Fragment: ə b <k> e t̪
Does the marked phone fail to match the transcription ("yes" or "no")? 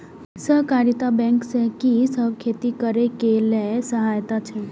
yes